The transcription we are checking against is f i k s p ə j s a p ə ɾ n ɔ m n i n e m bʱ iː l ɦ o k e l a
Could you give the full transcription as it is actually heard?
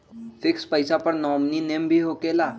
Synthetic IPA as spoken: f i k s p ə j s a p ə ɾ n ɔ m n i n e m bʱ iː ɦ o k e l a